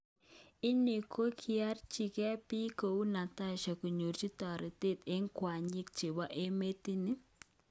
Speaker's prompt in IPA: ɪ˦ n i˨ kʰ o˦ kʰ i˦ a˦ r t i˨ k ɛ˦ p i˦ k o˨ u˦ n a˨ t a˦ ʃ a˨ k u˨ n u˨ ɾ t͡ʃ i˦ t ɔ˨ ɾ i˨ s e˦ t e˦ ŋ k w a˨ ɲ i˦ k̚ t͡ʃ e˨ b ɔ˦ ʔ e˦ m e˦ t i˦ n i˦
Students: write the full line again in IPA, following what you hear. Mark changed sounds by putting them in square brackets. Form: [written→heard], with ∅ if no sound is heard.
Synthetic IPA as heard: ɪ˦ n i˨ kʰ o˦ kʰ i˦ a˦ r [t→t͡ʃ] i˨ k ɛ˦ p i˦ k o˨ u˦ n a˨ t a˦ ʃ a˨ k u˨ [n→ɲ] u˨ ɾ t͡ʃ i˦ t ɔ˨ ɾ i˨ [s→t] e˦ t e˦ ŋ k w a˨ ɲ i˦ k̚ t͡ʃ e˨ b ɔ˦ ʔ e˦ m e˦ t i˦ n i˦

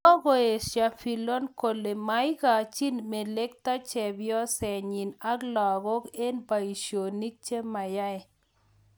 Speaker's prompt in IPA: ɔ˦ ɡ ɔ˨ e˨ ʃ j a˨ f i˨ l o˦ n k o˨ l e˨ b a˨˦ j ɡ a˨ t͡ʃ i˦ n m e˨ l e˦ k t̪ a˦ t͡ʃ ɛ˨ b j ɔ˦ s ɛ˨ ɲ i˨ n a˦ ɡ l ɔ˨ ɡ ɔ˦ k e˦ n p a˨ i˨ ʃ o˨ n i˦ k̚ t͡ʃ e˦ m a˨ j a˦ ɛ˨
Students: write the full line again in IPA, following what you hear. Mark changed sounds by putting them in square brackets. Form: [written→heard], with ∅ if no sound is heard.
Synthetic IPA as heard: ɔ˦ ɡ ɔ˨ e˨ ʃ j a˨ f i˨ l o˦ n k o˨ l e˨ [b→m] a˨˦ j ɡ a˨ t͡ʃ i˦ n m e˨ l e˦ k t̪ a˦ t͡ʃ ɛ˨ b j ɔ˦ s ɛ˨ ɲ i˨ n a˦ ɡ l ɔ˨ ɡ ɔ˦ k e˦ n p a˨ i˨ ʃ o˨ n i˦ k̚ t͡ʃ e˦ m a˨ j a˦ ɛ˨

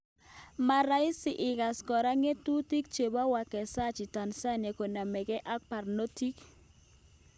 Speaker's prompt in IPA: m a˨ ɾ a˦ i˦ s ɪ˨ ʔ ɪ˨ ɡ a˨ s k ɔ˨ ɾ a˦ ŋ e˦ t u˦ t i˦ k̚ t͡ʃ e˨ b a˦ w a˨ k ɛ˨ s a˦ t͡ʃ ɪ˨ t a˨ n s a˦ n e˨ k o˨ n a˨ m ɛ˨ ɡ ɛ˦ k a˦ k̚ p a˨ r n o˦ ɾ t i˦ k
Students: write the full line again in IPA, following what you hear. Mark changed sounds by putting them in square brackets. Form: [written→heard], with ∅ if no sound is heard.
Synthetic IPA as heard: m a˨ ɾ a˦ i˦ s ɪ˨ ʔ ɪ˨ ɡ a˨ s k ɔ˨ ɾ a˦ ŋ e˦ t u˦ t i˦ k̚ t͡ʃ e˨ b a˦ w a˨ k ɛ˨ s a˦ t͡ʃ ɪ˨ t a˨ n s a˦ n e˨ k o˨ n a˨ m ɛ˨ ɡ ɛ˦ [k→ʔ] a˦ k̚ p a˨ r n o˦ [ɾ→∅] t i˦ k

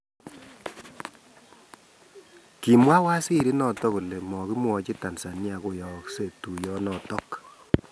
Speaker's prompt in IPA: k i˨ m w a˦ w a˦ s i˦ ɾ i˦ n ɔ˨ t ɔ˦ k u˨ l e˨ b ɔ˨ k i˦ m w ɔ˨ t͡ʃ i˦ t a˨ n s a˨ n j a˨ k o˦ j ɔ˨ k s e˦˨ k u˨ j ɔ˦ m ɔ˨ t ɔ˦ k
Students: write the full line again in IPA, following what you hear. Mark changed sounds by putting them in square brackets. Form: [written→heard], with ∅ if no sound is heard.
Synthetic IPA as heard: k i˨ m w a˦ w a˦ s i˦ ɾ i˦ n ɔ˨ t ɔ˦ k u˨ l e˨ [b→m] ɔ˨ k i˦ m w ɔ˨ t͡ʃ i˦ t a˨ n s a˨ n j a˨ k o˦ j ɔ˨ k s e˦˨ [k→t] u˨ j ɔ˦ [m→n] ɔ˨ t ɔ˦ k

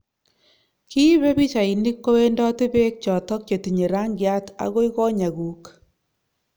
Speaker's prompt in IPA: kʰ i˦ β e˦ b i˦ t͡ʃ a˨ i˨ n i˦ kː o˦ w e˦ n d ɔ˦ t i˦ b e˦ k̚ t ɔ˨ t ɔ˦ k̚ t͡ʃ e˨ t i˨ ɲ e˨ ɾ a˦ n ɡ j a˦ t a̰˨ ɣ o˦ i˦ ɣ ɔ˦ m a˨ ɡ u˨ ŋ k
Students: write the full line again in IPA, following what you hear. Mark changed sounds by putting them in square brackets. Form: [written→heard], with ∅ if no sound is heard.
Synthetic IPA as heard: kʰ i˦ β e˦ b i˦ t͡ʃ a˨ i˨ n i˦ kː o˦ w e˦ n d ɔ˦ t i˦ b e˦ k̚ [t→t͡ʃ] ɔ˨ t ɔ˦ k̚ t͡ʃ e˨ t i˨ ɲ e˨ ɾ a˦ [n→ŋ] ɡ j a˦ t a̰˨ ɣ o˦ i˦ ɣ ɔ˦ [m→ɲ] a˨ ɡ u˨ [ŋ→∅] k

